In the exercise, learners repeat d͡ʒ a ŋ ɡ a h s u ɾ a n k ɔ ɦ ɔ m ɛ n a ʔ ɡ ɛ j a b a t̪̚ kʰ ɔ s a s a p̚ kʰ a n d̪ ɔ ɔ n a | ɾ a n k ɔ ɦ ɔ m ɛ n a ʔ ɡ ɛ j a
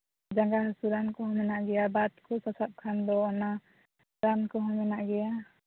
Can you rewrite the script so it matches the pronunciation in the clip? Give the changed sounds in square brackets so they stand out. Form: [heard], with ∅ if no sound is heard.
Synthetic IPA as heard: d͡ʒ a ŋ ɡ a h s u ɾ a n k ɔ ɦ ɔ m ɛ n a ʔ ɡ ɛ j a b a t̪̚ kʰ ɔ s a s a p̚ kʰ a n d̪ ɔ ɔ n a | ɾ a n k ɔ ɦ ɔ m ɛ n a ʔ ɡ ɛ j a